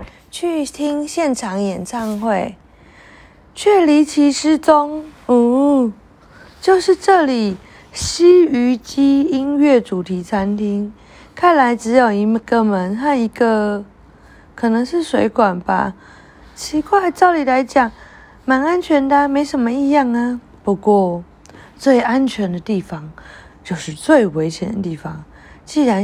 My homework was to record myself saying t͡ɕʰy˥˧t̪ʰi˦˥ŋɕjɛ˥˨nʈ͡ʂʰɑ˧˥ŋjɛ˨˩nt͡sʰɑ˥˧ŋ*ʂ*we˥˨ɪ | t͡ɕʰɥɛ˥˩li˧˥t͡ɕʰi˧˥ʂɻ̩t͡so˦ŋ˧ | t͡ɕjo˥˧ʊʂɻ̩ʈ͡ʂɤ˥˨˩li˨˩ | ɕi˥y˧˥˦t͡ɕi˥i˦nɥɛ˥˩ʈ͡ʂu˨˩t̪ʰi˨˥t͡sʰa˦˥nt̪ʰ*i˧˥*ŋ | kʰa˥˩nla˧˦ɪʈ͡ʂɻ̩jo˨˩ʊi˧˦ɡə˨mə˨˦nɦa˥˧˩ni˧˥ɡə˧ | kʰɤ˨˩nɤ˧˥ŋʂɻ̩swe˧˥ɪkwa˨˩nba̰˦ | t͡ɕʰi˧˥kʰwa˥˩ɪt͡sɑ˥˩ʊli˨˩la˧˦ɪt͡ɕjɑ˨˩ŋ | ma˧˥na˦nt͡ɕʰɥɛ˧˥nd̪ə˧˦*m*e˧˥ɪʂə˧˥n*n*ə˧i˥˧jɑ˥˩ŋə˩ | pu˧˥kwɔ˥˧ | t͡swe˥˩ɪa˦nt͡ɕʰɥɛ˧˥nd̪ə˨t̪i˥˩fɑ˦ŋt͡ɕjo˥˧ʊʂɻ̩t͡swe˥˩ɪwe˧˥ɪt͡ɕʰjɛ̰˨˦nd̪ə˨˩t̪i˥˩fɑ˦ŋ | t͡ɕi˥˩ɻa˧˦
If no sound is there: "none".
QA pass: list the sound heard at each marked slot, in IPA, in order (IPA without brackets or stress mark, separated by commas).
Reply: x, i˥, m, m